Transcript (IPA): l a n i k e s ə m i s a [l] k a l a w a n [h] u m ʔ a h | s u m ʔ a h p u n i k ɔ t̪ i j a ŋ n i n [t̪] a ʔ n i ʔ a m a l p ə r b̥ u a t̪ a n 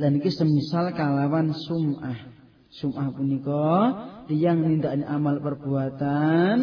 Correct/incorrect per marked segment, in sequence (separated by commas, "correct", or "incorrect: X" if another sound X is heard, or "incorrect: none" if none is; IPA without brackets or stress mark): correct, incorrect: s, incorrect: d̪